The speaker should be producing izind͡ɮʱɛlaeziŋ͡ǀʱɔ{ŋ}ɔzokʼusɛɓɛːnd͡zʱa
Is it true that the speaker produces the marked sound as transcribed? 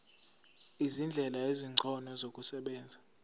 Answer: no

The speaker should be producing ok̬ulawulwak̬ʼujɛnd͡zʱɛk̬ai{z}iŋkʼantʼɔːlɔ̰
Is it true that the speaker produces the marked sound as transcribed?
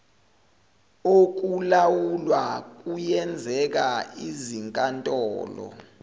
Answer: yes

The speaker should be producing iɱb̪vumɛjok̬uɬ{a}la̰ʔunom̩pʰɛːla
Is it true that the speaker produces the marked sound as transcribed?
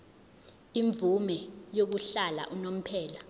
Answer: yes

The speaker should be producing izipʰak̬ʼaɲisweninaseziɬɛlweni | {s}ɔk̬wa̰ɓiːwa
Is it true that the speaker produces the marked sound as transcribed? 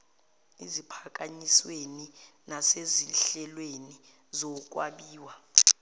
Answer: no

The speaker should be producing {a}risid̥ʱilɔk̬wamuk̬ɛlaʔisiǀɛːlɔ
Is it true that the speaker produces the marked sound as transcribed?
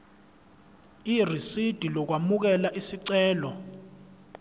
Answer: no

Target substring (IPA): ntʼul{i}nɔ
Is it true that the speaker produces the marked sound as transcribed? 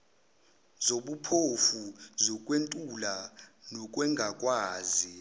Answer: no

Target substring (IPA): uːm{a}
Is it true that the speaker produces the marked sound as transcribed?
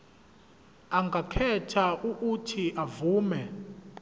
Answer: no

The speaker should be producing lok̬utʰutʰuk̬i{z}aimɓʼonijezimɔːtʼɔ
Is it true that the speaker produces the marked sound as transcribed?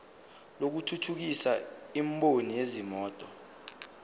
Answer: no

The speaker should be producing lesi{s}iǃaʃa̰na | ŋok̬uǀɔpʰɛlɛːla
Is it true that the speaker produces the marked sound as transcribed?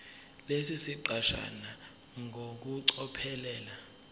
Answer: yes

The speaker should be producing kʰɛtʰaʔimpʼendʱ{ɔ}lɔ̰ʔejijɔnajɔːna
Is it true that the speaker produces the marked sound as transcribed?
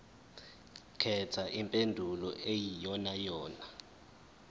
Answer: no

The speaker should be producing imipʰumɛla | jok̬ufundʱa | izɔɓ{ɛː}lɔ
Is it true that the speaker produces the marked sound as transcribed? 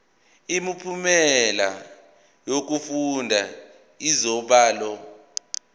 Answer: no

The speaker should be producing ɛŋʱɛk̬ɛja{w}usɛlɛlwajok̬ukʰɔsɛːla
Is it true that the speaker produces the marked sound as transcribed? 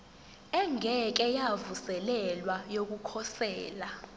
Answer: no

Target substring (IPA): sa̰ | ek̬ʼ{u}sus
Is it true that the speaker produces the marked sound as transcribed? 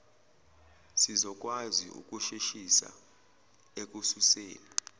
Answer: yes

